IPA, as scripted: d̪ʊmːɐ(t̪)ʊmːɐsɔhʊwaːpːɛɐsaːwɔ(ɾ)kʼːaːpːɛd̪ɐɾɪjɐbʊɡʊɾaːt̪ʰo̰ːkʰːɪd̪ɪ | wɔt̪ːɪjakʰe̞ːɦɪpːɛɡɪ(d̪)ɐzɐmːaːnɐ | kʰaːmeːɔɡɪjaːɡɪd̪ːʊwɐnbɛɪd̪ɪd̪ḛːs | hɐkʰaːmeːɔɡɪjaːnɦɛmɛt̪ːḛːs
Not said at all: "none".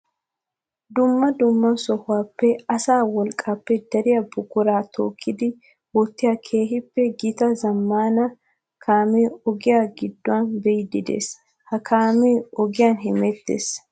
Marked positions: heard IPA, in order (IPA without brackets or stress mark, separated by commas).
d̪, l, t̪